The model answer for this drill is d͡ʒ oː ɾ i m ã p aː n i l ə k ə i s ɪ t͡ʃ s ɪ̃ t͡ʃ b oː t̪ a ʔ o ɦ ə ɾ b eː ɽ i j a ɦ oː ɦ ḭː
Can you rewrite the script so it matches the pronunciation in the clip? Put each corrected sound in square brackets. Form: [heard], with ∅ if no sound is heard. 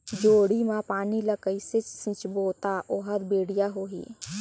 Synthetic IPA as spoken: d͡ʒ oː [ɽ] i m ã p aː n i l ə k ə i s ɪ t͡ʃ s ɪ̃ t͡ʃ b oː t̪ a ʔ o ɦ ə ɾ b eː ɽ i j a ɦ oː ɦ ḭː